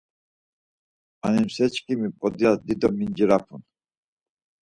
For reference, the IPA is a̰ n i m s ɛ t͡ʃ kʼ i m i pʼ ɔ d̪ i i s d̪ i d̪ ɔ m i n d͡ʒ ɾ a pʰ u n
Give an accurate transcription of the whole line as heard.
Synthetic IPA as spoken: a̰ n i m s ɛ t͡ʃ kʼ i m i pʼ ɔ d̪ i a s d̪ i d̪ ɔ m i n d͡ʒ ɾ a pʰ u n